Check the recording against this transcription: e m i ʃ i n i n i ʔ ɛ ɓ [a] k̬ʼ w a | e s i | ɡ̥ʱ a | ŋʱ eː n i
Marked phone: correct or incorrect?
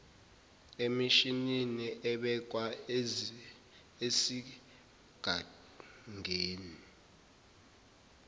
incorrect